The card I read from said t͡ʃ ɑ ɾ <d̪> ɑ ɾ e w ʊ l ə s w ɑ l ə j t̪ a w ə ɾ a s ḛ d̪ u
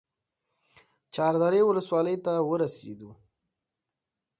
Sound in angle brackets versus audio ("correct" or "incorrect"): correct